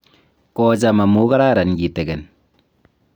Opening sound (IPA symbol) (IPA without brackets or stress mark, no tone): k